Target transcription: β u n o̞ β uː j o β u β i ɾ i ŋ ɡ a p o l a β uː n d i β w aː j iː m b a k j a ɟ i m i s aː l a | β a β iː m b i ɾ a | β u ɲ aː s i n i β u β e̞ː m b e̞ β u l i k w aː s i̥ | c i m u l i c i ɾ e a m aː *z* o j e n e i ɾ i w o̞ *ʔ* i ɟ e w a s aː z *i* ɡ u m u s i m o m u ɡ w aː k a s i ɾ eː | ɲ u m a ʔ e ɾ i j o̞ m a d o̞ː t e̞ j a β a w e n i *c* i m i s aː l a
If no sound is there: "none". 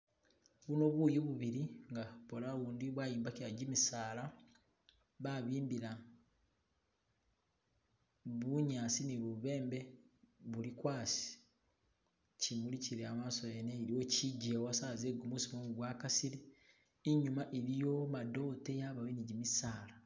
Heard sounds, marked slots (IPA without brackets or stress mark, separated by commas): s, c, e, ɟ